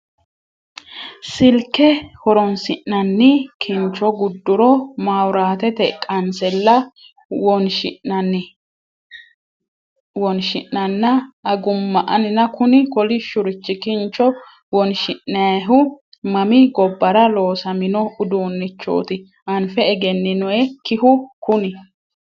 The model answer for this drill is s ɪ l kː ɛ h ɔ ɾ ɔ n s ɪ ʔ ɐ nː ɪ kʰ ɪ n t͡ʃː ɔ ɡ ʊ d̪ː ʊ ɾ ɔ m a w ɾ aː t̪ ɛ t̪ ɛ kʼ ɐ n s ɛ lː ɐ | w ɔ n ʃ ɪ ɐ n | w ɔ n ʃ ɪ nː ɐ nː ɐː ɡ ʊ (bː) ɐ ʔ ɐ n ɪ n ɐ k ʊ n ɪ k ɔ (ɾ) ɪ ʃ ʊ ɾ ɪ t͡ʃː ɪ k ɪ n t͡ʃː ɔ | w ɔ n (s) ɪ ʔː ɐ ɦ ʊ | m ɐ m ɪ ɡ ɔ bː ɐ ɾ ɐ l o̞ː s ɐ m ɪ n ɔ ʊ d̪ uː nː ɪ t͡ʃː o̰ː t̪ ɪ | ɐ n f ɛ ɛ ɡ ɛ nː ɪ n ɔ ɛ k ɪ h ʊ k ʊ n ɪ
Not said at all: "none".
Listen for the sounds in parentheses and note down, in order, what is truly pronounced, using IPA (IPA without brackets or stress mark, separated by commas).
mː, l, ʃ